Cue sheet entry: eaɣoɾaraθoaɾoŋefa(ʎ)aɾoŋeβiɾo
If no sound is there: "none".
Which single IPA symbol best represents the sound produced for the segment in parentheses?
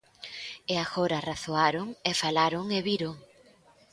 l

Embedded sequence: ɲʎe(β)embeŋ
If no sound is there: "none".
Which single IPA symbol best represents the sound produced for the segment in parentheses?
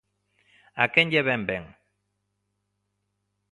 β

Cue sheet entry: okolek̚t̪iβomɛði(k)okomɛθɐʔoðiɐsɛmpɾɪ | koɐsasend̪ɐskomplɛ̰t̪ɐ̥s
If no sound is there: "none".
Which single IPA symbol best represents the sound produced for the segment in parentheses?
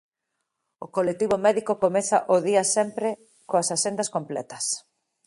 k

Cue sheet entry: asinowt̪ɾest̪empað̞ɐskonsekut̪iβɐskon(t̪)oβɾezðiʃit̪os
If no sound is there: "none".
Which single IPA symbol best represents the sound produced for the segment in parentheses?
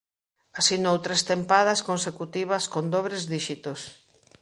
d̪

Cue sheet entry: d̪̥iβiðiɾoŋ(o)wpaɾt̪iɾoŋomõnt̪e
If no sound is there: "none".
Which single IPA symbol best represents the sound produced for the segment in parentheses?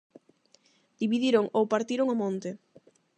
o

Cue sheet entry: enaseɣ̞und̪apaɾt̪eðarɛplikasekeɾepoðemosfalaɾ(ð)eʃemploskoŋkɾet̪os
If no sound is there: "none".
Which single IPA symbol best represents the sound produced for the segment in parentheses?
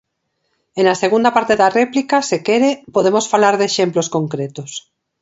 ð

